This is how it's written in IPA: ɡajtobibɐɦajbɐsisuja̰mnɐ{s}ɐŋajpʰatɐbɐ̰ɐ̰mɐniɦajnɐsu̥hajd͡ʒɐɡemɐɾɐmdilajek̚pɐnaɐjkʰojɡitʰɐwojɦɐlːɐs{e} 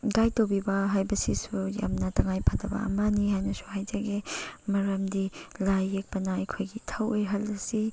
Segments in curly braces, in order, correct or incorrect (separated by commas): incorrect, incorrect